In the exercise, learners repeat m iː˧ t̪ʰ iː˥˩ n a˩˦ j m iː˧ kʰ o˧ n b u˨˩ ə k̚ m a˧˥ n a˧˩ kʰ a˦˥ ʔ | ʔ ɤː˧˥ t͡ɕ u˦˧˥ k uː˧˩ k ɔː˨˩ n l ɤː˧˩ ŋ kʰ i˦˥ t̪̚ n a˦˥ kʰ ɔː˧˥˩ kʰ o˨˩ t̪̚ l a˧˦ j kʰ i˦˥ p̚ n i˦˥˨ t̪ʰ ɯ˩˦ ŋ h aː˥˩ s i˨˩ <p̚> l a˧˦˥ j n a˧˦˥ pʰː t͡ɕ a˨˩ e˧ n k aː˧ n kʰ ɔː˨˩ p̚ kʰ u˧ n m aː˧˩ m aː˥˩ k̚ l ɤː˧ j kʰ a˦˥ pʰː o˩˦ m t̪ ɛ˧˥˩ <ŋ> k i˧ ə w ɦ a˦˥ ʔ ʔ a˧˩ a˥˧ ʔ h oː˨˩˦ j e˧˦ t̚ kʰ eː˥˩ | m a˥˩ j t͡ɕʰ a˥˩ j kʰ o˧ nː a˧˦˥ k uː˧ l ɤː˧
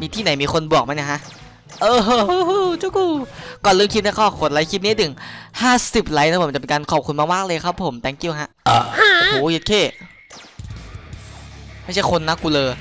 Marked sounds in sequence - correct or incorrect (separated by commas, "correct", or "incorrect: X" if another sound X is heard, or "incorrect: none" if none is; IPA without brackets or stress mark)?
correct, correct